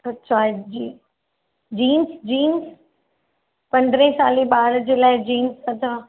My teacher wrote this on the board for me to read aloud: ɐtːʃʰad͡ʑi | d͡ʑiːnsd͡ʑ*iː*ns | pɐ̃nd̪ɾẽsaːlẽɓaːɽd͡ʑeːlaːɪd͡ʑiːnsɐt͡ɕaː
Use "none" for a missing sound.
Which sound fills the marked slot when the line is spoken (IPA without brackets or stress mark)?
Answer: iː